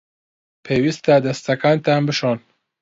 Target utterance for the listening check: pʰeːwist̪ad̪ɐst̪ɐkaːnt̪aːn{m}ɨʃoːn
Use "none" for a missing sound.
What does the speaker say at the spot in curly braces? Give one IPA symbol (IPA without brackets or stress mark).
b